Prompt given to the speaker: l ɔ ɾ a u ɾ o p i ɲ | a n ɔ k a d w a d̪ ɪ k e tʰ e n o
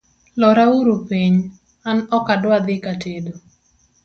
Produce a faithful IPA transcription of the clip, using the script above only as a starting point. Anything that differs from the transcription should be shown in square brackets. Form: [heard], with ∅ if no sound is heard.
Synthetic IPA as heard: l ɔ ɾ a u ɾ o p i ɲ | a n ɔ k a d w a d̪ ɪ k [a] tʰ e [d] o